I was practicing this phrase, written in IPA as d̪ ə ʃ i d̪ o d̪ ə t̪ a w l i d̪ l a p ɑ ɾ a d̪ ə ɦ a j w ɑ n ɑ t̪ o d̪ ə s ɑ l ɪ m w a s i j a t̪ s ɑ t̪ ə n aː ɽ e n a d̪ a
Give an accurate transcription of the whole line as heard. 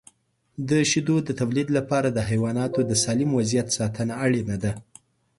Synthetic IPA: d̪ ə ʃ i d̪ o d̪ ə t̪ a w l i d̪ l a p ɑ ɾ a d̪ ə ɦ a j w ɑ n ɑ t̪ o d̪ ə s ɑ l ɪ m w a z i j a t̪ s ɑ t̪ ə n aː ɽ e n a d̪ a